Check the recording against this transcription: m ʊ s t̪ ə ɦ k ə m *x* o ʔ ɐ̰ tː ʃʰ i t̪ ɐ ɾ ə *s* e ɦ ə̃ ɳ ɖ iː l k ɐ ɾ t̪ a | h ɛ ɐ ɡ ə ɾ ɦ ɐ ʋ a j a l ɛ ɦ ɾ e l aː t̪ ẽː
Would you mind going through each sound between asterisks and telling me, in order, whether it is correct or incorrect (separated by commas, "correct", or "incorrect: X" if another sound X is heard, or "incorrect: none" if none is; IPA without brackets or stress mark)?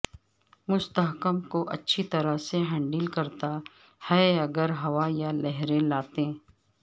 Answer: incorrect: k, correct